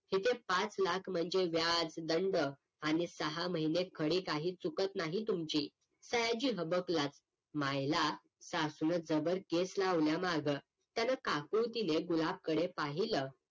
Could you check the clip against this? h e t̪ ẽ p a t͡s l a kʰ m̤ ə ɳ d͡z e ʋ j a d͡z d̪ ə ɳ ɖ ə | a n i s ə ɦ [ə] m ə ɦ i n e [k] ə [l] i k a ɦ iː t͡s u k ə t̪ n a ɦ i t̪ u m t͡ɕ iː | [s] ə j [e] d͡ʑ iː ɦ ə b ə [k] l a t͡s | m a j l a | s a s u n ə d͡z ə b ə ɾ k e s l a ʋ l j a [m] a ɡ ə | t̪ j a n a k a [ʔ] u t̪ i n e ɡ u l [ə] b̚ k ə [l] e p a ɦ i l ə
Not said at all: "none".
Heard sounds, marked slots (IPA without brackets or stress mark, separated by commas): a, kʰ, ɽ, s, a, k, m, k, a, ɽ